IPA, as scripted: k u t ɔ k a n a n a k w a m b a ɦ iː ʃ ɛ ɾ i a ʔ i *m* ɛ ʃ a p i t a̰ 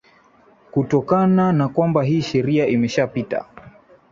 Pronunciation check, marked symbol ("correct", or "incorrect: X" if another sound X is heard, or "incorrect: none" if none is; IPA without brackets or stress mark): correct